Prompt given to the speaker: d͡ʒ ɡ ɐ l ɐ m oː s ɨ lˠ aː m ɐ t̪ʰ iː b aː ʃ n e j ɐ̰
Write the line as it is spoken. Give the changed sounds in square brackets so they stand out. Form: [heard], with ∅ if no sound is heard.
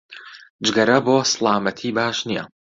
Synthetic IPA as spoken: d͡ʒ ɡ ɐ [ɾ] ɐ [b] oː s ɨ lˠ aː m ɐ t̪ʰ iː b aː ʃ n [i] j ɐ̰